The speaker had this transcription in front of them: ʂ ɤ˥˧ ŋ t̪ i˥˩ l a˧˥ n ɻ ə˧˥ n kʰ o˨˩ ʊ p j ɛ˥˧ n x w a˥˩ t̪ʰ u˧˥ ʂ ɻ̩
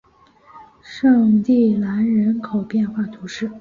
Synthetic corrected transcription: ʂ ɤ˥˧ ŋ t̪ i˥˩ l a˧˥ n ɻ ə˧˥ n kʰ o˨˩ ʊ p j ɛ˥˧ n x w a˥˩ t̪ʰ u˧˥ ʂ ɻ̩